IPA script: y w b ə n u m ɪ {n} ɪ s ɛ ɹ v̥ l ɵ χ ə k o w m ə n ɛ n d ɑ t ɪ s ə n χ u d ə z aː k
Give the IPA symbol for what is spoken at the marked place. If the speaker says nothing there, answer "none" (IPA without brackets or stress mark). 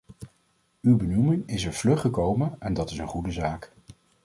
ŋ